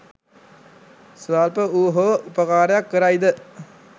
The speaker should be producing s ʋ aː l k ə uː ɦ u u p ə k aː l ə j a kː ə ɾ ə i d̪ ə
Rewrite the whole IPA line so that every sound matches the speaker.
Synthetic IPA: s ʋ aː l p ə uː ɦ o u p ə k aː ɾ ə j a kː ə ɾ a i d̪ ə